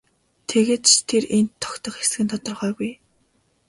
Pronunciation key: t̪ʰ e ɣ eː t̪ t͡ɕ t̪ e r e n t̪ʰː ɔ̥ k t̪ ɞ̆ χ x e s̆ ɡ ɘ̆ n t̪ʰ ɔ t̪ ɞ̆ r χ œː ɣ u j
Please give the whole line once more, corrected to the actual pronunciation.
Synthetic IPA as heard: t̪ʰ e ɣ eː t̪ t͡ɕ t̪ʰ e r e n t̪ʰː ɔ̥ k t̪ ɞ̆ χ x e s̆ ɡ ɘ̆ n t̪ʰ ɔ t̪ ɞ̆ r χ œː ɣ u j